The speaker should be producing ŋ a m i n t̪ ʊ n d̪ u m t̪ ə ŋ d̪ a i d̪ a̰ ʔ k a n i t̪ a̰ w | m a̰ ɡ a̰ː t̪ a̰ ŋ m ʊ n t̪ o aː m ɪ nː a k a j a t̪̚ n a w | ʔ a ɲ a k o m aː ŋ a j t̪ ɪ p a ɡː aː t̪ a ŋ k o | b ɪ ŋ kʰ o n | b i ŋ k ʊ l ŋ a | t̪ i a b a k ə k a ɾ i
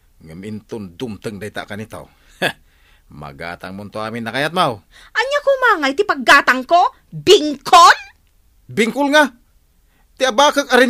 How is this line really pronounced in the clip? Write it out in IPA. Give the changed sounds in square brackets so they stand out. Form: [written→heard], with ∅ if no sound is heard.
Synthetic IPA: ŋ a m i n t̪ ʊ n d̪ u m t̪ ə ŋ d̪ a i [d̪→t̪] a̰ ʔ k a n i t̪ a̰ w | m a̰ ɡ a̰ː t̪ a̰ ŋ m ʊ n t̪ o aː m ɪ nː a k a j a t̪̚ [n→m] a w | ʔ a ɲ a k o m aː ŋ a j t̪ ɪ p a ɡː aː t̪ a ŋ k o | b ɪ ŋ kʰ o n | b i ŋ k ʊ l ŋ a | t̪ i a b a k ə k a ɾ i

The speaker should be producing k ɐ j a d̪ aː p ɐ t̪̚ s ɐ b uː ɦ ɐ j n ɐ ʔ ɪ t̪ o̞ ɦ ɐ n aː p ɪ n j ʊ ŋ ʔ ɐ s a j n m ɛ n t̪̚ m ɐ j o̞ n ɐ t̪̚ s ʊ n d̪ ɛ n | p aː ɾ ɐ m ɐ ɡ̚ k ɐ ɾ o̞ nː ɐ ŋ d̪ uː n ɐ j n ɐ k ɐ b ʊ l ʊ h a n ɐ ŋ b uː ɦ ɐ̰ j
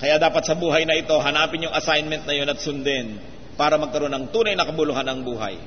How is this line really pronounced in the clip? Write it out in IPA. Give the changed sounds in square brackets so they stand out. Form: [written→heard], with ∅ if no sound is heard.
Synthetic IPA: k ɐ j a d̪ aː p ɐ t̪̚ s ɐ b uː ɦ ɐ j n ɐ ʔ ɪ t̪ o̞ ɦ ɐ n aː p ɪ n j ʊ ŋ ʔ ɐ s a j n m ɛ n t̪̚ [m→n] ɐ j o̞ n ɐ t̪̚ s ʊ n d̪ ɛ n | p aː ɾ ɐ m ɐ ɡ̚ k ɐ ɾ o̞ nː ɐ ŋ [d̪→t̪] uː n ɐ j n ɐ k ɐ b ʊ l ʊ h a n ɐ ŋ b uː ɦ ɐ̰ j

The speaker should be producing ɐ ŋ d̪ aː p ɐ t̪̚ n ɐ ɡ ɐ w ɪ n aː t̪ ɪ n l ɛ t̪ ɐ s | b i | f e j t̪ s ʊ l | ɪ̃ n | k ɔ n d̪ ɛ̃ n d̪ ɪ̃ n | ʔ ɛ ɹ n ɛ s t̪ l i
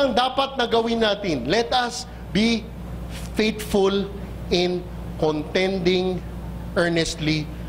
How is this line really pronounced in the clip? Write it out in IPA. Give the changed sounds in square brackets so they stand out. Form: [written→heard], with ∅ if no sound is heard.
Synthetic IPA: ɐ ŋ d̪ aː p ɐ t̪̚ n ɐ ɡ ɐ w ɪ n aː t̪ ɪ n l ɛ t̪ ɐ s | b i | f e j t̪ [s→f] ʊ l | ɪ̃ n | k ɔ n [d̪→t̪] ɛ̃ n d̪ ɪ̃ [n→ŋ] | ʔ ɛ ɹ n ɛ s t̪ l i

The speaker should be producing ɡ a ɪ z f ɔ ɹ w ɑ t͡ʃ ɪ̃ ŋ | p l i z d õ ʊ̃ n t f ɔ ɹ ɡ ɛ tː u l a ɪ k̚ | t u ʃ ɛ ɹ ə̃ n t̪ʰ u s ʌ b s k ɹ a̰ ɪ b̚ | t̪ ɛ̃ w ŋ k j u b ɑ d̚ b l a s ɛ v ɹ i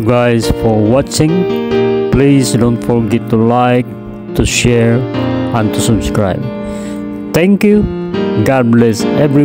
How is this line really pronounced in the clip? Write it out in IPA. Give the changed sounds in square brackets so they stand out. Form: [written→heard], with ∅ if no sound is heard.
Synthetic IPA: ɡ a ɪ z f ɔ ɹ w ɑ t͡ʃ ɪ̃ ŋ | p l i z d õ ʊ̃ n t f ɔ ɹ ɡ ɛ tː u l a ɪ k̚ | t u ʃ ɛ ɹ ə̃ n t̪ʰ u s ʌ b s k ɹ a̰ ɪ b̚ | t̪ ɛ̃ [w→∅] ŋ k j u [b→ɡ] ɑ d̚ b l [a→ɛ] s ɛ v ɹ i

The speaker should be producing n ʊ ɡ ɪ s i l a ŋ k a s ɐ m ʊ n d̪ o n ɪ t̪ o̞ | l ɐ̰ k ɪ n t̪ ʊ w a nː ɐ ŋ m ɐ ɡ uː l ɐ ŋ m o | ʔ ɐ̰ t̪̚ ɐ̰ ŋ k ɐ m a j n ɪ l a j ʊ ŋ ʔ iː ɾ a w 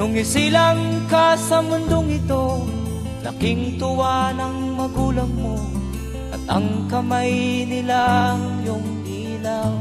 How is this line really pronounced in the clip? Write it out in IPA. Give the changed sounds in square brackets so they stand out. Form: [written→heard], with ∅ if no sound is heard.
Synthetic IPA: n ʊ [ɡ→ŋ] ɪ s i l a ŋ k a s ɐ m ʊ n d̪ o [n→ŋ] ɪ t̪ o̞ | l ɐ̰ k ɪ [n→ŋ] t̪ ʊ w a [nː→n] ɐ ŋ m ɐ ɡ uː l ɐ ŋ m o | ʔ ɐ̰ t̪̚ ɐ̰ ŋ k ɐ m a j n ɪ l a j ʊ ŋ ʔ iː [ɾ→l] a w

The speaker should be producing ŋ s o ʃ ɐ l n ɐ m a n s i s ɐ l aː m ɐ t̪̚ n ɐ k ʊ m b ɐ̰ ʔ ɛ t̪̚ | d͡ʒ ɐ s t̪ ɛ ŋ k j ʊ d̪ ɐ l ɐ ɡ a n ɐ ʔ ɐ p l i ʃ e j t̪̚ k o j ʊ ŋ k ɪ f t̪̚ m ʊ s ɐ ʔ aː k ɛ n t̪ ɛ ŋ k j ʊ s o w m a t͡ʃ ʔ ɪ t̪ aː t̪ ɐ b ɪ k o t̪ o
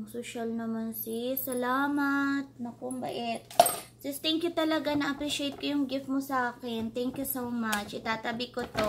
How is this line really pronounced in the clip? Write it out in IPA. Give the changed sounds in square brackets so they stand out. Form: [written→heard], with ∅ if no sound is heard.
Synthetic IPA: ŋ s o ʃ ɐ l n ɐ m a n s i s ɐ l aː m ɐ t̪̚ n ɐ k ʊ m b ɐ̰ ʔ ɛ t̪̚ | d͡ʒ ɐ s t̪ ɛ ŋ k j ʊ [d̪→t̪] ɐ l ɐ ɡ a n ɐ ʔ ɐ p [l→ɾ] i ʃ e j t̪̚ k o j ʊ ŋ [k→ɡ] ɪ f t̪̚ m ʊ s ɐ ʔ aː k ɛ n t̪ ɛ ŋ k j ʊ s o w m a t͡ʃ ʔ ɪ t̪ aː t̪ ɐ b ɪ k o t̪ o

